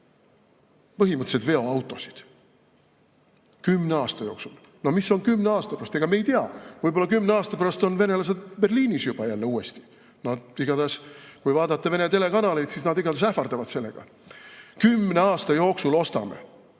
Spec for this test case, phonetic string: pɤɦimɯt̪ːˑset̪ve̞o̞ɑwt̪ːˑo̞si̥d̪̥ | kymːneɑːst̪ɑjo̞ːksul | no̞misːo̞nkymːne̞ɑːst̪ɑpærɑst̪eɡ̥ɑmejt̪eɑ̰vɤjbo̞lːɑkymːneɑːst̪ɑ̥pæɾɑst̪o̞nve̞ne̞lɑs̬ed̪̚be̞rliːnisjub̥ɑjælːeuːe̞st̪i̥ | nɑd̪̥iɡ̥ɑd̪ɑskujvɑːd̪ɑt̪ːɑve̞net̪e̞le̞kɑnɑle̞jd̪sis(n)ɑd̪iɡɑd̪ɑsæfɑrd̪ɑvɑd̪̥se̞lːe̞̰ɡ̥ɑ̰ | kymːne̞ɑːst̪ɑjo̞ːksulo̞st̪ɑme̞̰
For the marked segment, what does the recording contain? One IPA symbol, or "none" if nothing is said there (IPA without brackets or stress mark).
n